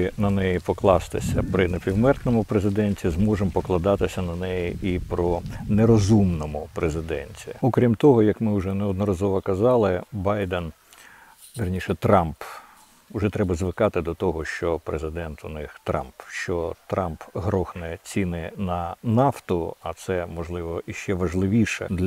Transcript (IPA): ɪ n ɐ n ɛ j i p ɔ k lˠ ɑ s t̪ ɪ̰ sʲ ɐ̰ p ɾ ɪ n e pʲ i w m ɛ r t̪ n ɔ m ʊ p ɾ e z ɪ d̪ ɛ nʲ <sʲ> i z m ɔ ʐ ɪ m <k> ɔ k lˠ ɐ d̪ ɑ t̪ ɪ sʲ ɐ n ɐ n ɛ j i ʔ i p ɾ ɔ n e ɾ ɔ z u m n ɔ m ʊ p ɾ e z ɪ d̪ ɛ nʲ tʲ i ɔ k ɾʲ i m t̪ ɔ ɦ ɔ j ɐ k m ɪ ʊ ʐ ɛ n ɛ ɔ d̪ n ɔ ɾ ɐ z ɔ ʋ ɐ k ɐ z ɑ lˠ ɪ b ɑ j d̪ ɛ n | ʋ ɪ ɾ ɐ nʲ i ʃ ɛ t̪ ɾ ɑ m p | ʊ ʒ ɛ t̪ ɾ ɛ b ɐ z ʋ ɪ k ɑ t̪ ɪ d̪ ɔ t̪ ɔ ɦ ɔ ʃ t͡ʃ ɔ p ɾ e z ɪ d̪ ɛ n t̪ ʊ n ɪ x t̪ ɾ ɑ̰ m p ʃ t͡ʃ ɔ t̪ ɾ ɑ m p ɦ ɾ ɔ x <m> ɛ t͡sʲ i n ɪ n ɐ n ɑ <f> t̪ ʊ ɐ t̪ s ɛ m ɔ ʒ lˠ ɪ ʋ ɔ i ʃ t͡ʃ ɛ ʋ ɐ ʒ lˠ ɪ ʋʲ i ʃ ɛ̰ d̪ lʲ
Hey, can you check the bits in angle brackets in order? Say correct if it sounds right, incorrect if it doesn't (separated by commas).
incorrect, incorrect, incorrect, correct